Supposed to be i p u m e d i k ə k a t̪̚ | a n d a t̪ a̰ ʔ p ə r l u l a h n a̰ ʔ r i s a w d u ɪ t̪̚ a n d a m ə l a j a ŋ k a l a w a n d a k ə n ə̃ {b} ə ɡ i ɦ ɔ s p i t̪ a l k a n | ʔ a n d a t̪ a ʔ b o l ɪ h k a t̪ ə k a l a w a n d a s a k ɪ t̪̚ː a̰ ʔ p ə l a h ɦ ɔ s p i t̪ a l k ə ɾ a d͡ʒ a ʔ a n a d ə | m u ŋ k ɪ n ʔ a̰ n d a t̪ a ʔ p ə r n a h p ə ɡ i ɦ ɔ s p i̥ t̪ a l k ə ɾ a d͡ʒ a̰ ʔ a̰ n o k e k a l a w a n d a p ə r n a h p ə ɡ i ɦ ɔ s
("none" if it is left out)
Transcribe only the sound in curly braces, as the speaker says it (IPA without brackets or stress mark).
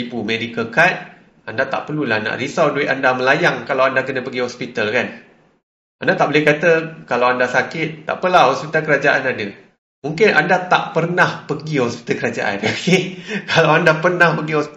p